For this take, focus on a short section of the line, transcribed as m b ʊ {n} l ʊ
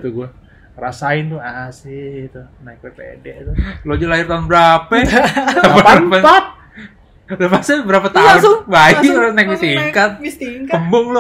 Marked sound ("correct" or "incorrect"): incorrect